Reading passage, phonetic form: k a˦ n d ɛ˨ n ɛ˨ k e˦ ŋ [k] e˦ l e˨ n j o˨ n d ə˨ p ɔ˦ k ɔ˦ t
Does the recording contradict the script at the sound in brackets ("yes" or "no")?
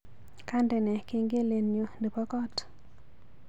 yes